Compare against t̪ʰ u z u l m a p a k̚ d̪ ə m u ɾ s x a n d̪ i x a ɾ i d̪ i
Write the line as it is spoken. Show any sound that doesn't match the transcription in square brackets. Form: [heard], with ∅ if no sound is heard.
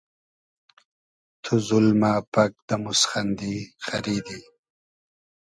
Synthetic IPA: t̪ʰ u z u l m a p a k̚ d̪ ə m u [∅] s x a n d̪ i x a ɾ i d̪ i